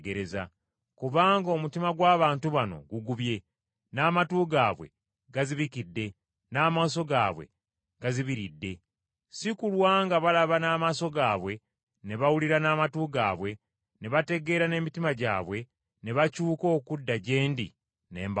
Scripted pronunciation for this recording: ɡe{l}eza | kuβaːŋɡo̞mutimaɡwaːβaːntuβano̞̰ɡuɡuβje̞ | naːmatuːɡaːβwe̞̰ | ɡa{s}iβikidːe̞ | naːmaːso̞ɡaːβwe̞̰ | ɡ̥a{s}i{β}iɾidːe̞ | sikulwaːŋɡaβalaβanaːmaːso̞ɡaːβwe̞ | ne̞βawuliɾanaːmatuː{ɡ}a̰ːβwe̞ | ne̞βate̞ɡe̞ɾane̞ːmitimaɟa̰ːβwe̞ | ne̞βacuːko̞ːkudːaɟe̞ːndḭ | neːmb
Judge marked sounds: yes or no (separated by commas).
no, no, no, yes, yes